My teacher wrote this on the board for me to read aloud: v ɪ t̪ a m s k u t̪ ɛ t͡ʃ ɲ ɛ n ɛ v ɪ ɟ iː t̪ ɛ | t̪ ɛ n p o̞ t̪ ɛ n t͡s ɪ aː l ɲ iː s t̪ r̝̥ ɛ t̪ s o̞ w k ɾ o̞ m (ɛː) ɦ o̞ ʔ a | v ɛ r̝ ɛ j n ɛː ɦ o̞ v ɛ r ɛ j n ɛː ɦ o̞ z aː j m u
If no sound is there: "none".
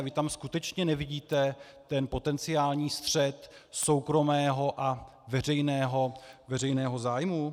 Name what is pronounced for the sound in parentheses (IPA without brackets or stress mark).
ɛː